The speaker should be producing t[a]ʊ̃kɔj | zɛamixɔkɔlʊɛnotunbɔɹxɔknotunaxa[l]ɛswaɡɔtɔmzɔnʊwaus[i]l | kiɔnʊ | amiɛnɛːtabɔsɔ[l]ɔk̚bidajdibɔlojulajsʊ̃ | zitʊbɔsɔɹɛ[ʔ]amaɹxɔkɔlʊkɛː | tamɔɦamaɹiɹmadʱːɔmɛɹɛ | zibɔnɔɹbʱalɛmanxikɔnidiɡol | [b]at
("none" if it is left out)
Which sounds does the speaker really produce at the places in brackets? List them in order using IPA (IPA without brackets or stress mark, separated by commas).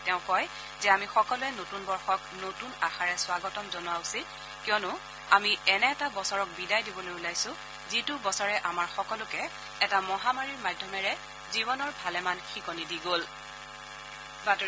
ɛ, ɹ, i, ɹ, ʔ, b